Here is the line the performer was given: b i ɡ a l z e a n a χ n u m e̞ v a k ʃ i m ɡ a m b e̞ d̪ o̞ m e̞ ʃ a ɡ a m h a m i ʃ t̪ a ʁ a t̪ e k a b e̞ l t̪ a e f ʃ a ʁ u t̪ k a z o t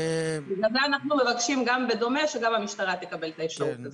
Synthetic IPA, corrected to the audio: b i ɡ a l z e a n a χ n u m e̞ v a k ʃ i m ɡ a m b e̞ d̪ o̞ m e̞ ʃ e ɡ a m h a m i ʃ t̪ a ʁ a t̪ e k a b e̞ l t̪ a e f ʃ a ʁ u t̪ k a z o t